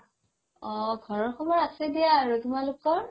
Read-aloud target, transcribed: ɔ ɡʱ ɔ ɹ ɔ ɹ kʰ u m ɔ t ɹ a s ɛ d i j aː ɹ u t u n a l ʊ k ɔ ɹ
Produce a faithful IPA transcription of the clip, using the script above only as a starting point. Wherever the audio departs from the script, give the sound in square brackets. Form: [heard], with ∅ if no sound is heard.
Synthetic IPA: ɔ ɡʱ ɔ ɹ ɔ ɹ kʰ [ɔ] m ɔ [∅] ɹ a s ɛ d i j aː ɹ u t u [m] a l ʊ k ɔ ɹ